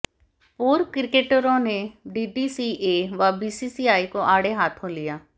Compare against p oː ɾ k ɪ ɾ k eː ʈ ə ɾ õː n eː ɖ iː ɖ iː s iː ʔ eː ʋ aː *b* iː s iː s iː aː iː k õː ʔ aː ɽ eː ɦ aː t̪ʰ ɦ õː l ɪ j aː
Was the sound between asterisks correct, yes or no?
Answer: yes